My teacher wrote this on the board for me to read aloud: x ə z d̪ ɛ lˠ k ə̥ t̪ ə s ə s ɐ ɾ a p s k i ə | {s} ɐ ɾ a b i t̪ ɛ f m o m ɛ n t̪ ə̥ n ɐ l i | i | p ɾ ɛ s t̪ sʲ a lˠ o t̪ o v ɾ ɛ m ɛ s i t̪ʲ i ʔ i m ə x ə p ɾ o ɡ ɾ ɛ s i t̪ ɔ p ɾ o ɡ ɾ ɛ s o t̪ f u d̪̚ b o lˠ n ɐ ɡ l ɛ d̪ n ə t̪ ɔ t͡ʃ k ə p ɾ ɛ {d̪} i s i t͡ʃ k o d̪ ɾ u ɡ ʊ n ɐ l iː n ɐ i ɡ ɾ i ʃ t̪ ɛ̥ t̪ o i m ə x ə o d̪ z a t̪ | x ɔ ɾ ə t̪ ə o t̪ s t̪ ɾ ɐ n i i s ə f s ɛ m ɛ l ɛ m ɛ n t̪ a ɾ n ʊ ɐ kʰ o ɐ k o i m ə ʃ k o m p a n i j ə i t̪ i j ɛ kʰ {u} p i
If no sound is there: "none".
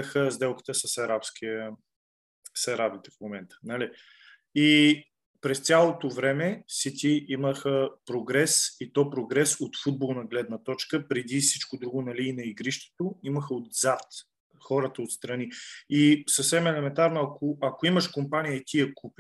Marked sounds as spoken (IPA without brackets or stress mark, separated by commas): s, d̪, u